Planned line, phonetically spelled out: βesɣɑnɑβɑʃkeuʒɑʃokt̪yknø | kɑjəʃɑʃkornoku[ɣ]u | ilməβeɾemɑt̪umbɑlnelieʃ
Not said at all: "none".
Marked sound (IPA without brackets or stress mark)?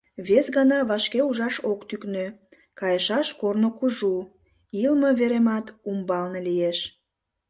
ʒ